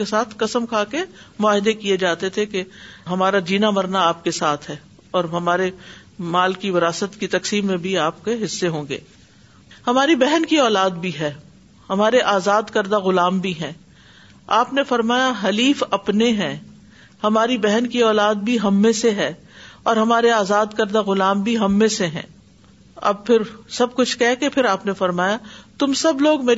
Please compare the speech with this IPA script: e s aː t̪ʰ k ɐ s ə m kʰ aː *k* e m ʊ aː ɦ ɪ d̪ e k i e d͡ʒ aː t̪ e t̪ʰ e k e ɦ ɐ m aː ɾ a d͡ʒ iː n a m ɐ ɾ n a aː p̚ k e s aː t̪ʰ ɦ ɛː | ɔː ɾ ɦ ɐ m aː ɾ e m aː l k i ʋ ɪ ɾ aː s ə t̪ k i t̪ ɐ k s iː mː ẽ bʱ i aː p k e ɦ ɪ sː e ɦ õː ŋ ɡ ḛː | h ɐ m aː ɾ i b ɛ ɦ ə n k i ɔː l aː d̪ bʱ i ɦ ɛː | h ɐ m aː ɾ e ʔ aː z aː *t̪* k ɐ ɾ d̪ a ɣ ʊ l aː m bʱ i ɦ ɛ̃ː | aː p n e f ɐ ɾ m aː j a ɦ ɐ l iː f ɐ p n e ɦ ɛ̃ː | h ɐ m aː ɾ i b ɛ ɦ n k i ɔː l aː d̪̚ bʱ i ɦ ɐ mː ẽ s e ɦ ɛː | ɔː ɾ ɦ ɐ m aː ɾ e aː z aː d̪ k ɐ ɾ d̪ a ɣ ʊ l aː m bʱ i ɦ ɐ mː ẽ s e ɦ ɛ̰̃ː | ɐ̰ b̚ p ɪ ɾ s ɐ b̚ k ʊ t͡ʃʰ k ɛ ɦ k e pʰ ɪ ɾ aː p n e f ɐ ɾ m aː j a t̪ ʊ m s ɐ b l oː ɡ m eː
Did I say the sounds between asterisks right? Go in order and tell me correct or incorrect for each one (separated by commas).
correct, incorrect